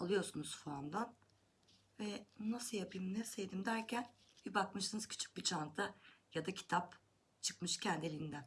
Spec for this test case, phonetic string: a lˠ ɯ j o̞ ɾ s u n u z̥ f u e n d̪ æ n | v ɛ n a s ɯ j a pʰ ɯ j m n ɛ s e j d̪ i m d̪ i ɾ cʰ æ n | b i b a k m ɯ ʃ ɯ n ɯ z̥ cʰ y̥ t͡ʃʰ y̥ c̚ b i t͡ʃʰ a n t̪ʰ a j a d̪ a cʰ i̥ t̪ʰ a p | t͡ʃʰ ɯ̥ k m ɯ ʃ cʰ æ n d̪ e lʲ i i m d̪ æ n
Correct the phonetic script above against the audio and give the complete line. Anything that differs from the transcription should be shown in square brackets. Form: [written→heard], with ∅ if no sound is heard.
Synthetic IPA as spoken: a lˠ ɯ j o̞ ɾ s u n u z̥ f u [e→a] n d̪ [æ→a] n | v ɛ n a s ɯ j a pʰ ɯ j m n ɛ s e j d̪ i m d̪ [i→æ] ɾ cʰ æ n | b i b a k m ɯ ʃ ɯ n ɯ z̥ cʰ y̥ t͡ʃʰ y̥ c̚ b i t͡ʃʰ a n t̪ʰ a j a d̪ a cʰ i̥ t̪ʰ a p | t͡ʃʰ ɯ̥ k m ɯ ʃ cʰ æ n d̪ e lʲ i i [m→n] d̪ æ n